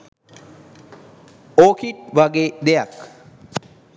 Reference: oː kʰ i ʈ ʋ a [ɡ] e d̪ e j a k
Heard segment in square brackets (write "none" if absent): ɡ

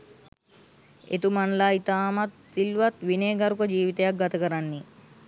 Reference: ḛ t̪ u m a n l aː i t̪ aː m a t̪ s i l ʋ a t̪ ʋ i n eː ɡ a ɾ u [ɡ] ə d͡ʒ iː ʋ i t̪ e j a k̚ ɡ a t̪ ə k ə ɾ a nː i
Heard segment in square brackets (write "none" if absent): k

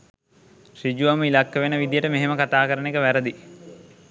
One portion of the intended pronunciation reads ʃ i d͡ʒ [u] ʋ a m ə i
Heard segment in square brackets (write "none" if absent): u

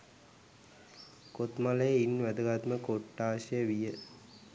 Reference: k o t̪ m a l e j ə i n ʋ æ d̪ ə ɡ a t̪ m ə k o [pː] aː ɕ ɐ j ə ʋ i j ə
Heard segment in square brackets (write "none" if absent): ʈː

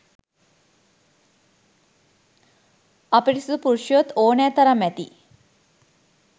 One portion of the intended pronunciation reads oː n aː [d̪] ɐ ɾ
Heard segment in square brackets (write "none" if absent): t̪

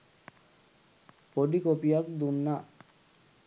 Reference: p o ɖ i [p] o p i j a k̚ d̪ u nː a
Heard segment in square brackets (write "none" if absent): k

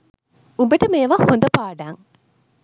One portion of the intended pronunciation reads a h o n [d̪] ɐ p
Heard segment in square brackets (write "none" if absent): d̪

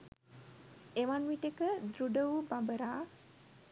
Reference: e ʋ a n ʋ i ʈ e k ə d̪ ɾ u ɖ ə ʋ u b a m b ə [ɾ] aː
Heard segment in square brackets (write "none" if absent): ɾ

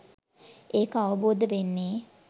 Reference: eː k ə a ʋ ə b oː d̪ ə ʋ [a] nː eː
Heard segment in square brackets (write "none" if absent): e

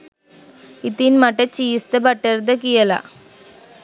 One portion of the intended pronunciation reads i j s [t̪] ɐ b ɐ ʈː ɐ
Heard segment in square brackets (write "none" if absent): t̪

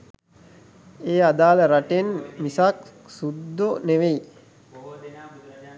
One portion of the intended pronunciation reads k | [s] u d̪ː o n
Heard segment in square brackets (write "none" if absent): s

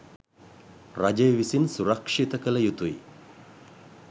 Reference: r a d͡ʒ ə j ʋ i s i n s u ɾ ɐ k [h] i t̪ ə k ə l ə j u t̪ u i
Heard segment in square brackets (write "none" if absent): ʂ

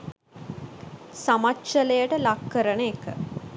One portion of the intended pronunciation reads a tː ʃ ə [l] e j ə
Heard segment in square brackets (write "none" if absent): l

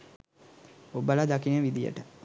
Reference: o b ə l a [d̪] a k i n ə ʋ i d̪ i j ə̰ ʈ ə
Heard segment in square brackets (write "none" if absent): d̪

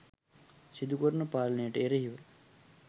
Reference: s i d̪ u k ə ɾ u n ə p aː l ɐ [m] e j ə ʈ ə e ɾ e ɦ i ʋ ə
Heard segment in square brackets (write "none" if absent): n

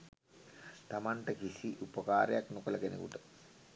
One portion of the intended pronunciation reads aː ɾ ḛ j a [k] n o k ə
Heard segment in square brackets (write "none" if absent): k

